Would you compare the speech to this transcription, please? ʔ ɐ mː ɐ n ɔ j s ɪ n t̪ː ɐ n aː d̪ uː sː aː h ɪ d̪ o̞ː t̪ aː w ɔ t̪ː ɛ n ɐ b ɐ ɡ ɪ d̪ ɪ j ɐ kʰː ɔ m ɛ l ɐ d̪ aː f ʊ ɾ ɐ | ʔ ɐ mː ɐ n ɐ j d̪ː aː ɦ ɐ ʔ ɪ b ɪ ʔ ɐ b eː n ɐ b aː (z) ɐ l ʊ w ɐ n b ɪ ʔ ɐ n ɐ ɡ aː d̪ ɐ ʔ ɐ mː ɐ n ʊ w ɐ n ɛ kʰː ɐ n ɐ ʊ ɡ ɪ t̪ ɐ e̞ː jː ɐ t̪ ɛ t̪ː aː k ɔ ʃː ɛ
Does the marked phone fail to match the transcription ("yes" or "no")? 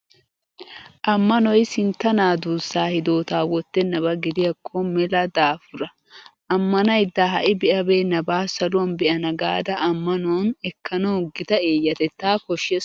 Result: yes